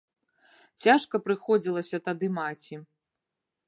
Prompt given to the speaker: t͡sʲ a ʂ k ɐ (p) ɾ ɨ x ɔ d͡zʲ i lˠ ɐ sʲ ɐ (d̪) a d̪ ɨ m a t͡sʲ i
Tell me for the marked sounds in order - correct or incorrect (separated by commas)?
correct, incorrect